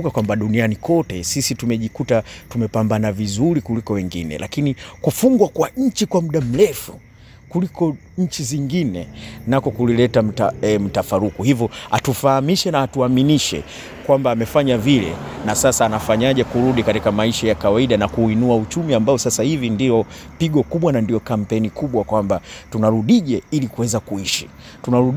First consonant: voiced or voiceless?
voiceless